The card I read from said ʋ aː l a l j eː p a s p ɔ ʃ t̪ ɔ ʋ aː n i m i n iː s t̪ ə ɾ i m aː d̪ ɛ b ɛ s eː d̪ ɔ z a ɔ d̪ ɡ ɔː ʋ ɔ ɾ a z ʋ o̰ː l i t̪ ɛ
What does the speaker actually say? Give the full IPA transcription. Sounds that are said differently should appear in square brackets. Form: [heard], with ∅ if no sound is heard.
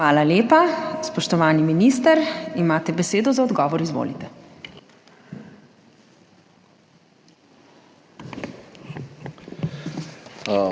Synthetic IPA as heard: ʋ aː l a l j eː p a s p ɔ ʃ t̪ ɔ ʋ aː n i m i n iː s t̪ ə ɾ i m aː [t̪] ɛ b ɛ s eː d̪ ɔ z a ɔ d̪ ɡ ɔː ʋ ɔ ɾ [i] z ʋ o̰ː l i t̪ ɛ

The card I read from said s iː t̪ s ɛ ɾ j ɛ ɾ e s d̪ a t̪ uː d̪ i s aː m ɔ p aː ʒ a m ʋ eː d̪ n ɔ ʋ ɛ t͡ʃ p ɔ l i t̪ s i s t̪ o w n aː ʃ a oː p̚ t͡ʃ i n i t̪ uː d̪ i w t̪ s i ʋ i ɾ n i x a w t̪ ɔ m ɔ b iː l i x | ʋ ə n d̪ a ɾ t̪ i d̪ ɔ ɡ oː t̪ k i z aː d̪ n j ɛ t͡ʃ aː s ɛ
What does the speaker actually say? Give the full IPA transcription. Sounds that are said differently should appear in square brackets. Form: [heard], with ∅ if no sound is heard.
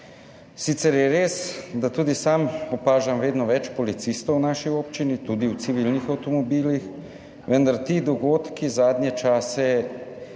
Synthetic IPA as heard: s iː t̪ s ɛ ɾ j ɛ ɾ e s d̪ a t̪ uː d̪ i s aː m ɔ p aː ʒ a m ʋ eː d̪ n ɔ ʋ ɛ t͡ʃ p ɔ l i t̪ s i s t̪ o w n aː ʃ [i] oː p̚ t͡ʃ i n i t̪ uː d̪ i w t̪ s i ʋ i [l] n i x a w t̪ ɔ m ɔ b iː l i x | ʋ ə n d̪ a ɾ t̪ i d̪ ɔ ɡ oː t̪ k i z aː d̪ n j ɛ t͡ʃ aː s ɛ

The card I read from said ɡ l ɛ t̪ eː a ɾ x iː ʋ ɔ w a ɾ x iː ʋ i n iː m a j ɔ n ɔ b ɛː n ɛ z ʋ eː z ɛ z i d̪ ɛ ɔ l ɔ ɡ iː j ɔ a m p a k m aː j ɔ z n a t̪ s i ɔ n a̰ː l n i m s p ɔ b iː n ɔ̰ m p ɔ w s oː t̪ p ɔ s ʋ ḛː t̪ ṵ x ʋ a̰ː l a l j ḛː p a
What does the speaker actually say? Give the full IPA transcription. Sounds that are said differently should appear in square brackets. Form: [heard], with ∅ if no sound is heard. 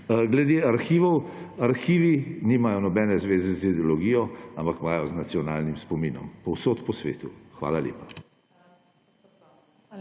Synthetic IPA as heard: ɡ l ɛ [d̪] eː a ɾ x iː ʋ ɔ w a ɾ x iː ʋ i n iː m a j ɔ n ɔ b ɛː n ɛ z ʋ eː z ɛ z i d̪ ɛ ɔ l ɔ ɡ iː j ɔ a m p a k m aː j ɔ z n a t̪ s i ɔ n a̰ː l n i m s p ɔ [m] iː n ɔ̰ m p ɔ w s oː t̪ p ɔ s ʋ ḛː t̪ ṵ x ʋ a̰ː l a l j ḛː p a

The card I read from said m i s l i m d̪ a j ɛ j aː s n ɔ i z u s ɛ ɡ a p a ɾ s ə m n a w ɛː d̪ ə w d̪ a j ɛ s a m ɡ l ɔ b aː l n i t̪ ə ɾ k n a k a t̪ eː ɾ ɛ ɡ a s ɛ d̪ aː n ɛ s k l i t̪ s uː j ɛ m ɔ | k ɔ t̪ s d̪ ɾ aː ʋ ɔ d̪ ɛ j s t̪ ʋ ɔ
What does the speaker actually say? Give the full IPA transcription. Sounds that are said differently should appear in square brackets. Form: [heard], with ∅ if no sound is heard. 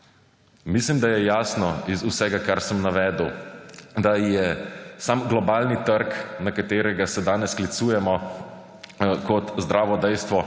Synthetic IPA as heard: m i s l i m d̪ a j ɛ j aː s n ɔ i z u s ɛ ɡ a [k] a ɾ s ə m n a [ʋ] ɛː d̪ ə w d̪ a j ɛ s a m ɡ l ɔ b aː l n i t̪ ə ɾ k n a k a t̪ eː ɾ ɛ ɡ a s ɛ d̪ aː n ɛ s k l i t̪ s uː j ɛ m ɔ | k ɔ t̪ [z] d̪ ɾ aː ʋ ɔ d̪ ɛ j s t̪ ʋ ɔ

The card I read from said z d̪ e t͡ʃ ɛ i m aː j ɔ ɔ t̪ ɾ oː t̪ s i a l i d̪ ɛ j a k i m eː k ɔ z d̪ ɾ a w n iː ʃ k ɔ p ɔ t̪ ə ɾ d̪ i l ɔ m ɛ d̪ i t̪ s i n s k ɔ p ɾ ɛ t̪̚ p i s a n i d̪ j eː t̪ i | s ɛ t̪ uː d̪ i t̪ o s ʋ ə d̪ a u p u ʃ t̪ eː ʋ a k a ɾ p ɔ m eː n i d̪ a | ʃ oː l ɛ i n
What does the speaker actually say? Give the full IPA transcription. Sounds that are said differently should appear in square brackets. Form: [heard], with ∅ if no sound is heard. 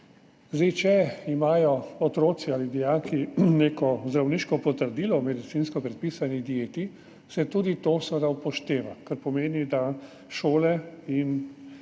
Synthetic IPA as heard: z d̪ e t͡ʃ ɛ i m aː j ɔ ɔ t̪ ɾ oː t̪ s i a l i d̪ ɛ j a k i [n] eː k ɔ z d̪ ɾ a w n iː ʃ k ɔ p ɔ t̪ ə ɾ d̪ i l ɔ m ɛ d̪ i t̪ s i n s k ɔ p ɾ ɛ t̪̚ p i s a n i d̪ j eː t̪ i | s ɛ t̪ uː d̪ i t̪ o s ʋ ə d̪ a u p [ɔ] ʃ t̪ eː ʋ a k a ɾ p ɔ m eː n i d̪ a | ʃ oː l ɛ i n

